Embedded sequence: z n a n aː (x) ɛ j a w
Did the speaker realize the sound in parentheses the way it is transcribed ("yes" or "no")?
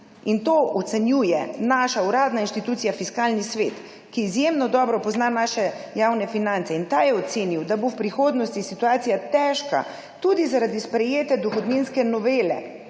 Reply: no